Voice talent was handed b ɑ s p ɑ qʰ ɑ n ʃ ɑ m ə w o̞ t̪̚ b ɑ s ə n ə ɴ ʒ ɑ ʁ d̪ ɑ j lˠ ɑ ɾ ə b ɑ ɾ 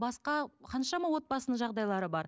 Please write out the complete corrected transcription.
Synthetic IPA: b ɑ s q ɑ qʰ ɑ n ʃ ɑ m ɑ w o̞ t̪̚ b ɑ s ə n ə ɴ ʒ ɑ ʁ d̪ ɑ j lˠ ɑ ɾ ə b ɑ ɾ